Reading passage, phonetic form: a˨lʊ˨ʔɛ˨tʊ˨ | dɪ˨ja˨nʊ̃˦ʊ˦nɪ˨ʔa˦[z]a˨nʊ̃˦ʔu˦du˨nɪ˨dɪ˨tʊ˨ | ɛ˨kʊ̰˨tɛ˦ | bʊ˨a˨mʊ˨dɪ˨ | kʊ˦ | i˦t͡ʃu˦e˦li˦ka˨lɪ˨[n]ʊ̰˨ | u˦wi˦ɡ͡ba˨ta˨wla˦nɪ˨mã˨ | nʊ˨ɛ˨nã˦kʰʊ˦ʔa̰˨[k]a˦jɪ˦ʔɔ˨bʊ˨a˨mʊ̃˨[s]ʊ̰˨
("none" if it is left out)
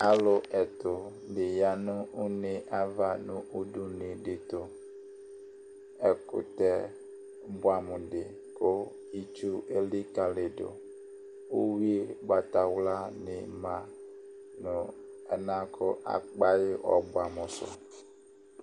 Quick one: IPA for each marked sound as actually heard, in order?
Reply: v, d, k͡p, s

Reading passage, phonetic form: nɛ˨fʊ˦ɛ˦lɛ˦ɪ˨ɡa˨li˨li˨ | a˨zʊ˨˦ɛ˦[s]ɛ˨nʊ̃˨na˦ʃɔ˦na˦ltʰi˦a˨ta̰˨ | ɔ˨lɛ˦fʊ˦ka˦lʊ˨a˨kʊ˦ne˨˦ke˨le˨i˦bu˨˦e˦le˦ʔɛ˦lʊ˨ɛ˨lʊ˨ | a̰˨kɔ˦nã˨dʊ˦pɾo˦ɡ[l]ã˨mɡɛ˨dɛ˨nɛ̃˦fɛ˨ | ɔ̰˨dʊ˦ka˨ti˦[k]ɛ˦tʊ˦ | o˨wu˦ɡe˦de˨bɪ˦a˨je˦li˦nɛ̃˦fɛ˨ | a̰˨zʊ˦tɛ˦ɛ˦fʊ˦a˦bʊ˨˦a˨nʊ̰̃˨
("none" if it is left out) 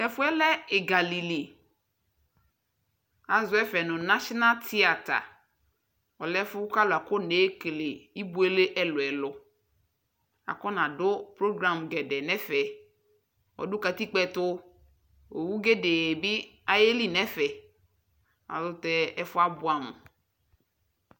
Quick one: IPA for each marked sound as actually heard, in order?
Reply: f, ɾ, k͡p

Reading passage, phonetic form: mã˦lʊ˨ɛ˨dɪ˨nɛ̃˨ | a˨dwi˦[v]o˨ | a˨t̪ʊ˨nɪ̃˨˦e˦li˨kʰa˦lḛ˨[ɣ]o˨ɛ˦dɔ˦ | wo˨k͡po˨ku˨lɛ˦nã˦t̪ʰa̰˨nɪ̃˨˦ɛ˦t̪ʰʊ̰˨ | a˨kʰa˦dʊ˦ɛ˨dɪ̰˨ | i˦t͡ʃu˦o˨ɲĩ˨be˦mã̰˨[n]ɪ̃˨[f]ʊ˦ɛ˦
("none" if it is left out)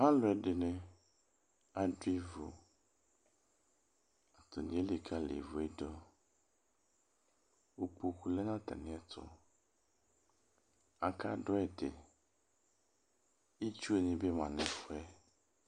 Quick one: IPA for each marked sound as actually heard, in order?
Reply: v, v, n, f

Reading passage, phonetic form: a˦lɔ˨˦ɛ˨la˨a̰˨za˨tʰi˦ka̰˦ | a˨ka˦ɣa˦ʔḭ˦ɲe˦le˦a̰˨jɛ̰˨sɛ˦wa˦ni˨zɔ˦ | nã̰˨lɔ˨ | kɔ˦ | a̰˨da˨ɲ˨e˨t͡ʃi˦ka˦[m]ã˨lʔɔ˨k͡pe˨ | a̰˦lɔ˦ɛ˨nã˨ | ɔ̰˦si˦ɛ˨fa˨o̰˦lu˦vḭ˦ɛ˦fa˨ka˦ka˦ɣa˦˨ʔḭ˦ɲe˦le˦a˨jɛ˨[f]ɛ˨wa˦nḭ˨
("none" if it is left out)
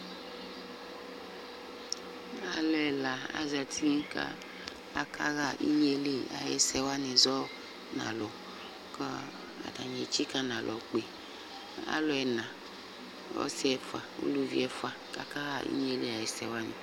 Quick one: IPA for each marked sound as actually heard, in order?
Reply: n, s

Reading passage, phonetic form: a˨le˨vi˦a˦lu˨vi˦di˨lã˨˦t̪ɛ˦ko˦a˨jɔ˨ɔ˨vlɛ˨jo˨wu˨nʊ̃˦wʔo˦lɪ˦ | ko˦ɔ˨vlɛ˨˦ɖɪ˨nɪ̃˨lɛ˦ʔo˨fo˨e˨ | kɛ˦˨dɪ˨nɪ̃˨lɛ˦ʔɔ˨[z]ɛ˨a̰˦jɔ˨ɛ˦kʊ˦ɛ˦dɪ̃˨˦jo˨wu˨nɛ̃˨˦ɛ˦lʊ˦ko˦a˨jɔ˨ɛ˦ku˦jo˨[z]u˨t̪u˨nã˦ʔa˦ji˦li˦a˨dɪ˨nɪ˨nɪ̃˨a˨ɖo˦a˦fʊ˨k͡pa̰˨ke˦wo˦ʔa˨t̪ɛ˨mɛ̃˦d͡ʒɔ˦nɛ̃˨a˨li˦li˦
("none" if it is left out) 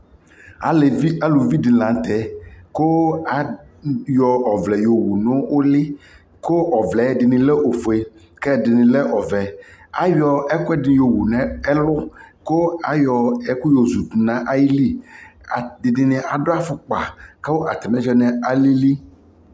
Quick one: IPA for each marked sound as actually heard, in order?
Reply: v, z

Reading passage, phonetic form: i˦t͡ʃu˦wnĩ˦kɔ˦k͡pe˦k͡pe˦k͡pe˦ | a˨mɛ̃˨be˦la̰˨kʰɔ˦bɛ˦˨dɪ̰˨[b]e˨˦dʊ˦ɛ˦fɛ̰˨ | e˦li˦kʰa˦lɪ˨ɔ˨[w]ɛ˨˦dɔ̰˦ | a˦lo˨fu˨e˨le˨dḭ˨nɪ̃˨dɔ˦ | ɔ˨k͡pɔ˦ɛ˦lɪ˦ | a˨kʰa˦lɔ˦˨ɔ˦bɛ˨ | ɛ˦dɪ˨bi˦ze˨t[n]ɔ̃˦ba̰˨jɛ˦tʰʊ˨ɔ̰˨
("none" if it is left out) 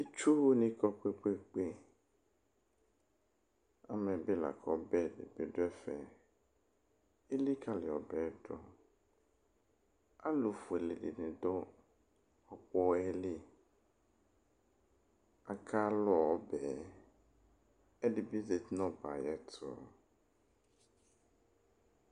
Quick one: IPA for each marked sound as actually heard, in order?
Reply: b, b, n

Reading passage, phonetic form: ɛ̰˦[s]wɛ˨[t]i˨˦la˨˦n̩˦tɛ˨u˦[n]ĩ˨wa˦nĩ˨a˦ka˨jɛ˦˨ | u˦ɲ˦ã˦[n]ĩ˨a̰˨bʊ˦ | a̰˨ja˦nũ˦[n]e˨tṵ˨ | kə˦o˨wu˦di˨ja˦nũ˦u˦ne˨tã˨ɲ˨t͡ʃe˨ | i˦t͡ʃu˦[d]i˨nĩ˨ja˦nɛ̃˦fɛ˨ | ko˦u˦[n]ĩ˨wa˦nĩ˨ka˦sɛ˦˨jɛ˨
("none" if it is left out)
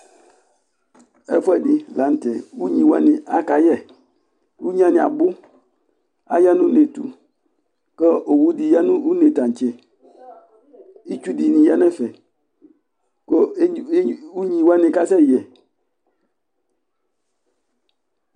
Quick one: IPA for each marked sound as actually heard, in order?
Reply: f, d, ɲ, n, n, d, ɲ

